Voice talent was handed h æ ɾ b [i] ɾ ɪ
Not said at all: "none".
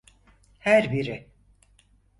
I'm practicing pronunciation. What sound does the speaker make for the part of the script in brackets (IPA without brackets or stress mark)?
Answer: i